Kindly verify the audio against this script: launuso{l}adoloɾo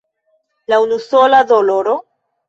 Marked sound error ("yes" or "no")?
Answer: no